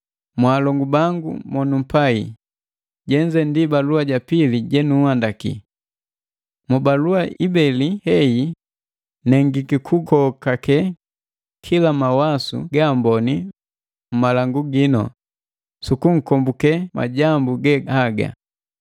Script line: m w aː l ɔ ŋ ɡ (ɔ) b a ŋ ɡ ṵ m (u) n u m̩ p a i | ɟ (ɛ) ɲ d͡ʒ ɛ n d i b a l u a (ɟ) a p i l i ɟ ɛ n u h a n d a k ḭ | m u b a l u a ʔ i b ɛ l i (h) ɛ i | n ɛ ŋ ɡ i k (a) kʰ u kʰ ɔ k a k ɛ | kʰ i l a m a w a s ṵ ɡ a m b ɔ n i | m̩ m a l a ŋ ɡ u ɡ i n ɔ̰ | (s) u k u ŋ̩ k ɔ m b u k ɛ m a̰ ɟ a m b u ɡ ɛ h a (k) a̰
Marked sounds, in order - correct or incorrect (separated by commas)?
incorrect, incorrect, correct, correct, correct, incorrect, correct, incorrect